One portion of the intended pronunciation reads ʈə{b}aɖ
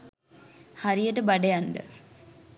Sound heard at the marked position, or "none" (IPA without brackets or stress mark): b